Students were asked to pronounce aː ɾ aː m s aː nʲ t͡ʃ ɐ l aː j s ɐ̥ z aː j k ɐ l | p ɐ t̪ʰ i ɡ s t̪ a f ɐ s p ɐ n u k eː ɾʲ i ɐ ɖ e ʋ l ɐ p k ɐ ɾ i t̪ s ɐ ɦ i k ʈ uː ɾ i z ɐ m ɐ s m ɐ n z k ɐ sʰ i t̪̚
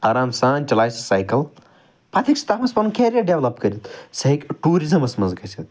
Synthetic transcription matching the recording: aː ɾ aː m s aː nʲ t͡ʃ ɐ l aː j s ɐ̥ s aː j k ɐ l | p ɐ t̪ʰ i k s t̪ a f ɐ s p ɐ n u k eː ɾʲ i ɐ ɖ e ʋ l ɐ p k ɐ ɾ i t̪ s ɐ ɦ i k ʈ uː ɾ i z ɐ m ɐ s m ɐ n z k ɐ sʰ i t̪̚